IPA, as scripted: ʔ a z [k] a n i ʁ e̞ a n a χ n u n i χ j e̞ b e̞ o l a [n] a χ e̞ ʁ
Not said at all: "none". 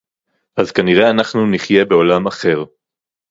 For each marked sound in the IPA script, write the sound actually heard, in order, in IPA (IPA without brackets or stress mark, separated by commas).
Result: k, m